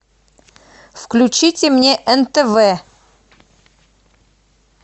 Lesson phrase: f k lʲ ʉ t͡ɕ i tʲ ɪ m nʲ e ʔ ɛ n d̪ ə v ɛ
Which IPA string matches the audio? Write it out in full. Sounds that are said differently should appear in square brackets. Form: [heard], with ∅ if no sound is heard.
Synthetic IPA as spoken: f k lʲ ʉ t͡ɕ i tʲ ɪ m nʲ e ʔ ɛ n [t̪] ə v ɛ